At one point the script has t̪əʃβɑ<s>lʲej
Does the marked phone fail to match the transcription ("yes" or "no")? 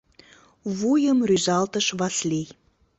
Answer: no